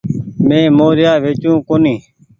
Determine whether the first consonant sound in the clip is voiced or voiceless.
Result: voiced